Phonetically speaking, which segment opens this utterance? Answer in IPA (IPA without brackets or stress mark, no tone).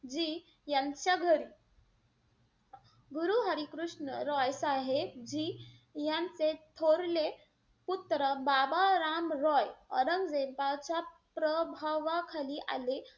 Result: d͡ʑ